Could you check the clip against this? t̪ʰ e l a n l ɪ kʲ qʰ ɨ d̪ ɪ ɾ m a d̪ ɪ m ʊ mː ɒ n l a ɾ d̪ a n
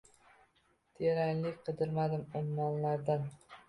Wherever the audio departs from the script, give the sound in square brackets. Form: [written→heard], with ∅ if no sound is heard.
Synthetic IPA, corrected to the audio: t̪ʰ e [l→ɾ] a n l ɪ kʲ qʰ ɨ d̪ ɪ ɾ m a d̪ ɪ m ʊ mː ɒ n l a ɾ d̪ a n